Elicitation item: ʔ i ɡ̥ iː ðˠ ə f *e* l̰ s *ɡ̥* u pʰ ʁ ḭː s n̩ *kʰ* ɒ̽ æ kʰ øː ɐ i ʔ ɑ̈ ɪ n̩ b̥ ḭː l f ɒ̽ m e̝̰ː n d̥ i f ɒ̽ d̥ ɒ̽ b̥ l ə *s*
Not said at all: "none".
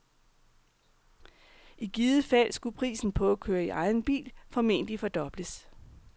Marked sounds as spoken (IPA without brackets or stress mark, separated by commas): æ, ɡ̥, pʰ, s